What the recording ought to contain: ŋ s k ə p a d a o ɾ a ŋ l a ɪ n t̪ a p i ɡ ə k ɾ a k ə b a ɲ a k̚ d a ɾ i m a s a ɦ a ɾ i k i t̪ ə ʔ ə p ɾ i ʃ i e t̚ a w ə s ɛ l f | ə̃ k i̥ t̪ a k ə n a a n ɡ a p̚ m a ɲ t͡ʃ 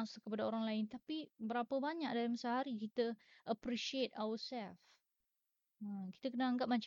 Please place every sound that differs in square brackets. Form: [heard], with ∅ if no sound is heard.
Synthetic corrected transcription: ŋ s k ə p a d a o ɾ a ŋ l a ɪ n t̪ a p i [b] ə [∅] ɾ a [p] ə b a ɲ a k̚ d a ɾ i m a s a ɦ a ɾ i k i t̪ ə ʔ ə p ɾ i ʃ i e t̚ a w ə s ɛ l f | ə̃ k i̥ t̪ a k ə n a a [ŋ] ɡ a p̚ m a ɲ t͡ʃ